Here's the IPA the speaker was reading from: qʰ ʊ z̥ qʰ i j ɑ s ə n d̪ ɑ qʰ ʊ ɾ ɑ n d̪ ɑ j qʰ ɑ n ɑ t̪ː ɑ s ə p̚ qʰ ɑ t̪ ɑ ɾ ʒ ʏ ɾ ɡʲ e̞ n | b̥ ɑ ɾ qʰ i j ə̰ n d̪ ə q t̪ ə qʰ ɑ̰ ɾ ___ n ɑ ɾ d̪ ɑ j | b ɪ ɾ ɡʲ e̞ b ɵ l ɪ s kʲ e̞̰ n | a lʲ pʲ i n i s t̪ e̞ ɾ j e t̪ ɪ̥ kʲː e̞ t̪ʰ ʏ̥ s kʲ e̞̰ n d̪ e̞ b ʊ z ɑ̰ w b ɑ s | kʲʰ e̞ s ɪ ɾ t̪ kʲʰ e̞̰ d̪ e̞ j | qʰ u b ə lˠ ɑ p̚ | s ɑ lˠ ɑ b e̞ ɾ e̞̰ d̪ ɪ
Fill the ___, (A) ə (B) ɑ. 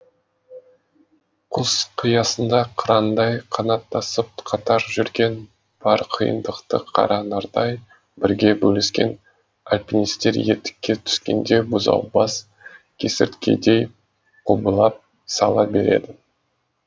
B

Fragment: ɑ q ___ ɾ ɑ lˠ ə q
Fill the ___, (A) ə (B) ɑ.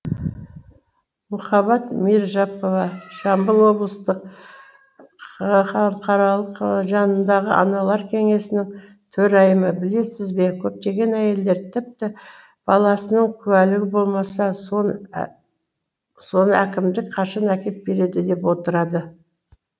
B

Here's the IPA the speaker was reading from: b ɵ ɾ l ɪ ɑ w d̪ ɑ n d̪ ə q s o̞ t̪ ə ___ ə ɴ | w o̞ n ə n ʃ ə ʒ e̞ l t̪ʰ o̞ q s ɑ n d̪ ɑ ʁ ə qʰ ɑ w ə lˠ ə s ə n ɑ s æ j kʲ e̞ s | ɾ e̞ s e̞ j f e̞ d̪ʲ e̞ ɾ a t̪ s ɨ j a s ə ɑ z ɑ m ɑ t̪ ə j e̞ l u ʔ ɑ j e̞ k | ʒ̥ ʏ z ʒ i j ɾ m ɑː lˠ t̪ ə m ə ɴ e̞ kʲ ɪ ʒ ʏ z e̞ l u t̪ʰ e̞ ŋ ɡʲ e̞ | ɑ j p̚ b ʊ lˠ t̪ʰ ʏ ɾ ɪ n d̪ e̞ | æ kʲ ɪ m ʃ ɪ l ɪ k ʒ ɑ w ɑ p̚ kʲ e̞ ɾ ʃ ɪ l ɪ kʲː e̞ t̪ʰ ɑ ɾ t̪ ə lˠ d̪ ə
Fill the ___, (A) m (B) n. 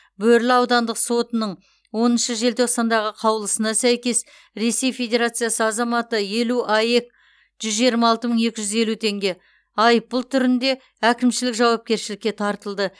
B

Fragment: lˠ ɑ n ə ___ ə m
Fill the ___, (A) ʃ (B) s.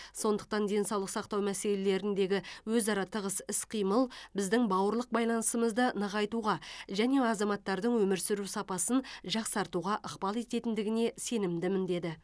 B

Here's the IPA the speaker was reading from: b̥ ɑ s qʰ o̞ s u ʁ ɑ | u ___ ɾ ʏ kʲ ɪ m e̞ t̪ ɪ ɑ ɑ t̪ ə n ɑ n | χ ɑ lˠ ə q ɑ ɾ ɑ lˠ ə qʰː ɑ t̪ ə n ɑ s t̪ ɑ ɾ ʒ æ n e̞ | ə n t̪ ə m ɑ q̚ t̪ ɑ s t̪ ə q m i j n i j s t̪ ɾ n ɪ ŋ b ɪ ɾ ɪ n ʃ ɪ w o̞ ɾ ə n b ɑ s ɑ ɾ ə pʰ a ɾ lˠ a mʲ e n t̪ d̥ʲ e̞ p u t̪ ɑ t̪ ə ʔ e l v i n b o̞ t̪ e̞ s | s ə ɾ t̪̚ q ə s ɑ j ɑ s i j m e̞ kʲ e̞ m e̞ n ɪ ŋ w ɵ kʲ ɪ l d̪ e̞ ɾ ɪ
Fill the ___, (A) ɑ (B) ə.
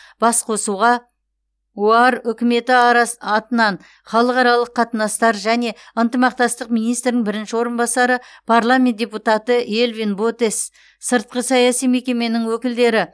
A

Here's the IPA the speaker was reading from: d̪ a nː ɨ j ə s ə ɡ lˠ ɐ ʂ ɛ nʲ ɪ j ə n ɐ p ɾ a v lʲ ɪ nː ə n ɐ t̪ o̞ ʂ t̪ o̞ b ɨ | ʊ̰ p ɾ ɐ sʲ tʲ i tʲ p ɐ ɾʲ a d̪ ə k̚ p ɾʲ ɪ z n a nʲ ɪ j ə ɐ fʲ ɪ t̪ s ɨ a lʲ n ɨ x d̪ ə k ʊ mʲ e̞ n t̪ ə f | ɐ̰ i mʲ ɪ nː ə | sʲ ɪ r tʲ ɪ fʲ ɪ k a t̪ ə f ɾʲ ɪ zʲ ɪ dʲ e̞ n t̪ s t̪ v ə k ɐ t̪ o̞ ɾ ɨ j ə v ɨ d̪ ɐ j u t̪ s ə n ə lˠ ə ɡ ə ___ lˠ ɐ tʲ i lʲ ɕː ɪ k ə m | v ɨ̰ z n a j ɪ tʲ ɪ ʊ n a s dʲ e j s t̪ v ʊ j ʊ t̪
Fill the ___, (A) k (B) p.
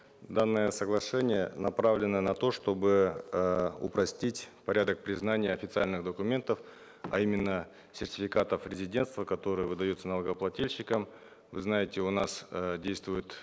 B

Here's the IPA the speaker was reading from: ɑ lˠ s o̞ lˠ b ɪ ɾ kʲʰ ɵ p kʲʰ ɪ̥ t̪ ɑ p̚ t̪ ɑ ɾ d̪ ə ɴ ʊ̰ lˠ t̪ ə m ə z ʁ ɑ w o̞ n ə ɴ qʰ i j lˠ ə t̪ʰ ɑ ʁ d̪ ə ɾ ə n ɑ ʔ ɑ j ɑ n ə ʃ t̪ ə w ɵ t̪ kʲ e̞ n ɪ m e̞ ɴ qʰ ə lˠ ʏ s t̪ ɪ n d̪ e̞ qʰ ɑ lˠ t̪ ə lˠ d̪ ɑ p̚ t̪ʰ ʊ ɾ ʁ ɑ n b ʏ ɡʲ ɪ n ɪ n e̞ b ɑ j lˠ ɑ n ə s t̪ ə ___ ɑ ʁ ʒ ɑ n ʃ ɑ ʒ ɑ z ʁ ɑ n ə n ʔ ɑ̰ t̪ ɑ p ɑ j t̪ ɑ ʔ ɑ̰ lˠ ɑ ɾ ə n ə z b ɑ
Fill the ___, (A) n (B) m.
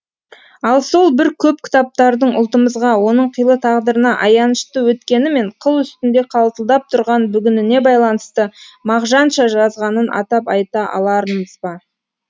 B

